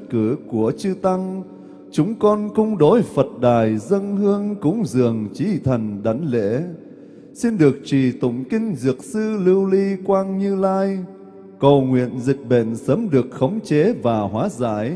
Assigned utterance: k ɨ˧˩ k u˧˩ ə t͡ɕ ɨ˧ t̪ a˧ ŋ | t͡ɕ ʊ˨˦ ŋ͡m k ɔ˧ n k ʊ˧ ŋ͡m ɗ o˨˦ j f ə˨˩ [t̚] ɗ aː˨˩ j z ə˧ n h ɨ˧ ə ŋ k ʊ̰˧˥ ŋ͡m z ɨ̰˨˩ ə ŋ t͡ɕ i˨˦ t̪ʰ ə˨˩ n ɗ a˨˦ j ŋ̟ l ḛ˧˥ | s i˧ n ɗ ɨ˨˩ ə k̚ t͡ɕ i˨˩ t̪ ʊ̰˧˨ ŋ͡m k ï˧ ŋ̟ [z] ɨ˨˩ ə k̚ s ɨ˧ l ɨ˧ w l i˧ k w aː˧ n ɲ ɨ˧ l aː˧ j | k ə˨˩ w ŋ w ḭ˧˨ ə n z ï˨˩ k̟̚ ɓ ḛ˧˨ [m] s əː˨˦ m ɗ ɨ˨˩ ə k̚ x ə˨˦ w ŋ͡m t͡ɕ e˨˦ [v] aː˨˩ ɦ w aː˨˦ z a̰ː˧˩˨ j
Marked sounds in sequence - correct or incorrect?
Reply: correct, correct, incorrect: n, correct

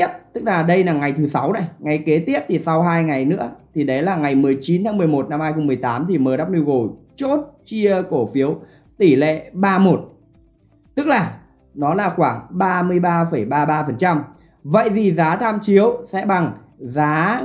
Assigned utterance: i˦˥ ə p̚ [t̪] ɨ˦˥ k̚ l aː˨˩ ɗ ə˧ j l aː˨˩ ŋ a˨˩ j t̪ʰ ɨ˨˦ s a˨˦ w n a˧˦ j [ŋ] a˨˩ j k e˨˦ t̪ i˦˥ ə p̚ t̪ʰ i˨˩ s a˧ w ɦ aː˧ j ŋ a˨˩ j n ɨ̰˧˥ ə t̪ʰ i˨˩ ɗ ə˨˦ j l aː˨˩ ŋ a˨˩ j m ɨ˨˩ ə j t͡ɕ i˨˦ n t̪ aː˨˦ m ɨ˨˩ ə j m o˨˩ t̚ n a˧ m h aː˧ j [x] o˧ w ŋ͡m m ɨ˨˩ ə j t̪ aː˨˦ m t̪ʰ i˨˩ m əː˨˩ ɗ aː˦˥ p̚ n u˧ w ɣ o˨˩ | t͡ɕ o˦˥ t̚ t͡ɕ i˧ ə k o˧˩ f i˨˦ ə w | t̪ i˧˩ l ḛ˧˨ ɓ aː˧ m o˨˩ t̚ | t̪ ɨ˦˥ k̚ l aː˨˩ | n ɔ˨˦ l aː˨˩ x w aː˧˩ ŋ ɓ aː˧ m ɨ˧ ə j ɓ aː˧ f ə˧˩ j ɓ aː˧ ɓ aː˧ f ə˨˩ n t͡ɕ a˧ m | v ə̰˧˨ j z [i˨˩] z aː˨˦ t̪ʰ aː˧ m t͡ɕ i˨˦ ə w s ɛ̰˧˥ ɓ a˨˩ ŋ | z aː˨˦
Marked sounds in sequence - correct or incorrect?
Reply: correct, correct, correct, correct

